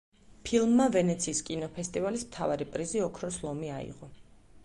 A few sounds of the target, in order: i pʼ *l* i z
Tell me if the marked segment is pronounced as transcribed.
no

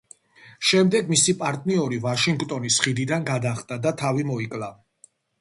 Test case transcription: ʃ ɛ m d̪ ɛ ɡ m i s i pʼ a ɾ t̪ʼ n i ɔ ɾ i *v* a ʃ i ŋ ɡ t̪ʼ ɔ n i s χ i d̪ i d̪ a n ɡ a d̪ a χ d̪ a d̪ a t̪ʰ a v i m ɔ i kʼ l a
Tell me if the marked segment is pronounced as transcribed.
yes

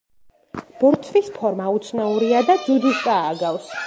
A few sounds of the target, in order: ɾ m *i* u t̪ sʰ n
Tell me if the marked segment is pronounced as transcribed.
no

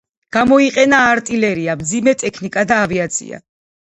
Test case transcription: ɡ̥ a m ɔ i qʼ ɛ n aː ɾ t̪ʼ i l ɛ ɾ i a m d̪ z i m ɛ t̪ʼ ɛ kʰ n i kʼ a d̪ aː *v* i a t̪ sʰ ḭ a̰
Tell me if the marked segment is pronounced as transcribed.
yes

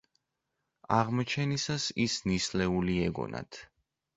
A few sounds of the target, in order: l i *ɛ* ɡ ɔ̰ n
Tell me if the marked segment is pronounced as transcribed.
yes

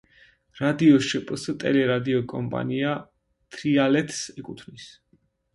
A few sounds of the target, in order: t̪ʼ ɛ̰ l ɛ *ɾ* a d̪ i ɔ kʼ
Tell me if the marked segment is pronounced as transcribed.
yes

